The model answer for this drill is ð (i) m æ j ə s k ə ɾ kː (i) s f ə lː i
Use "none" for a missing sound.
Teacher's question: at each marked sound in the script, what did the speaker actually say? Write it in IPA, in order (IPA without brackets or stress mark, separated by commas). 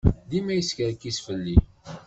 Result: i, i